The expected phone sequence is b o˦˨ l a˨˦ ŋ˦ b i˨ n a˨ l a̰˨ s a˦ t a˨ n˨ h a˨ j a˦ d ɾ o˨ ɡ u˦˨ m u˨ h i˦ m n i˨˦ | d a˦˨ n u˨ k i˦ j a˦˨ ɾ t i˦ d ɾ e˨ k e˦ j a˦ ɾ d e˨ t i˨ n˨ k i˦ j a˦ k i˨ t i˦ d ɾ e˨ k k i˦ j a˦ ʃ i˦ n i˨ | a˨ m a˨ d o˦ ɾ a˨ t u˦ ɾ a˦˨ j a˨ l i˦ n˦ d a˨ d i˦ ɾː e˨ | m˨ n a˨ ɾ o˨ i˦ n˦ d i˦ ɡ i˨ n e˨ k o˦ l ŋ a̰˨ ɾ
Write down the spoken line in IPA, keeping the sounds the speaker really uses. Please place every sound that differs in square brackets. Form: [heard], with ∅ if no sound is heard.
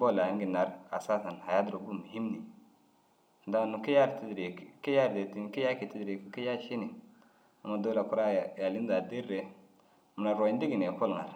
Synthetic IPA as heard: b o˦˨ l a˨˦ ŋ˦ [ɡ] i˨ n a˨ [ɾ] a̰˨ s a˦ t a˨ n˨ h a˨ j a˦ d ɾ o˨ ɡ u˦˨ m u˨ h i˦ m n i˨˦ | d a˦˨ n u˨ k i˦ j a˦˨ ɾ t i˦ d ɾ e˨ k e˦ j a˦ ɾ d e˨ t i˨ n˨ k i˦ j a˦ k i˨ t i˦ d ɾ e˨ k k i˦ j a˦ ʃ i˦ n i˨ | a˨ m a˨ d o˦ [l] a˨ [k] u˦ ɾ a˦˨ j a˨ l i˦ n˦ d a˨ d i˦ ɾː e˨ | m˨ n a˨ ɾ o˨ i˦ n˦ d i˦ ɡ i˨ n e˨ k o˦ l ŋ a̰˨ ɾ